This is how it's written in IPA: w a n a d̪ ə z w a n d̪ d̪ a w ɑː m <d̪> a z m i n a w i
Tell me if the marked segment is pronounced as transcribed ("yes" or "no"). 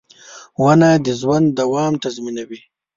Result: no